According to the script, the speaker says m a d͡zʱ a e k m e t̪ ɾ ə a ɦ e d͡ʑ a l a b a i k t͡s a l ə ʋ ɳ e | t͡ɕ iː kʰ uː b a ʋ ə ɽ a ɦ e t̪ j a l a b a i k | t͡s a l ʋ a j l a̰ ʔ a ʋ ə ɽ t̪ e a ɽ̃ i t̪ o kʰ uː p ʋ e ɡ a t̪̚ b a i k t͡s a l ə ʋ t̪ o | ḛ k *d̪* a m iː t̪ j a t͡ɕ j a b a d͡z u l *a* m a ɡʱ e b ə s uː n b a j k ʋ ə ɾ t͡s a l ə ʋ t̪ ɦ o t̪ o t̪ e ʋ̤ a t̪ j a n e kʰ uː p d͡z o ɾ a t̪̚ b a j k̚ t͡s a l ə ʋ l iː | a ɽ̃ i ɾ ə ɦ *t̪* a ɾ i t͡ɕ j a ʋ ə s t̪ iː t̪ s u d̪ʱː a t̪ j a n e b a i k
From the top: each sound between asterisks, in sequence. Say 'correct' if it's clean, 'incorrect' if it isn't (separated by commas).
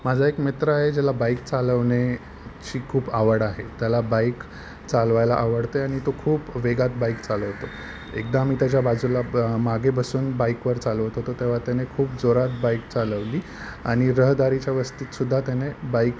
correct, correct, incorrect